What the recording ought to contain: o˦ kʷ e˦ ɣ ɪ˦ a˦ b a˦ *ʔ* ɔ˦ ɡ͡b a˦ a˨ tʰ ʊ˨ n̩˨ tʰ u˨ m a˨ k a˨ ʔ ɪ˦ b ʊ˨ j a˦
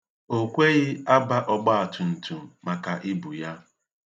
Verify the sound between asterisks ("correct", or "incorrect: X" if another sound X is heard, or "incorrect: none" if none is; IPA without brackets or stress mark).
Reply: correct